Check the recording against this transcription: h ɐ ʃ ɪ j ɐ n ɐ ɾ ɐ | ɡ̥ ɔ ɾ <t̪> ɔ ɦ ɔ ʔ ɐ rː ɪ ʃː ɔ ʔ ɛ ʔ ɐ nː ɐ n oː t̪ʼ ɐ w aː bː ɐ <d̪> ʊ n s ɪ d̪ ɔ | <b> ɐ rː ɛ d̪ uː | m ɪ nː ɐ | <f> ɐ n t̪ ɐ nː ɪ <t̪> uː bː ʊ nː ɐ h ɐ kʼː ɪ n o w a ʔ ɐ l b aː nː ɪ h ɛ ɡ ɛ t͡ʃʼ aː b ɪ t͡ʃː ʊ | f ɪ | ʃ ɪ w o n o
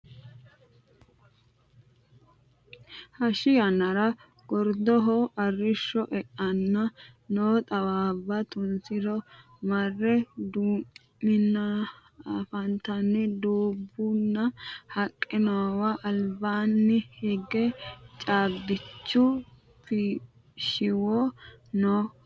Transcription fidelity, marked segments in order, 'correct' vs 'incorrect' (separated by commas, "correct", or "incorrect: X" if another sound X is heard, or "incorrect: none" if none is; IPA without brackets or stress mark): incorrect: d̪, incorrect: t̪, incorrect: m, correct, incorrect: d̪